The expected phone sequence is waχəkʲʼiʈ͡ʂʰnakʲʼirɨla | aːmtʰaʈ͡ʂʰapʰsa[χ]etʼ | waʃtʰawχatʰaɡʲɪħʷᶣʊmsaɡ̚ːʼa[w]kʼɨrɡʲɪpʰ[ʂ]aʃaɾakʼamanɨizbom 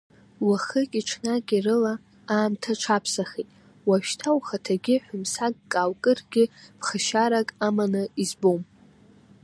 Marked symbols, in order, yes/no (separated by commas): yes, yes, no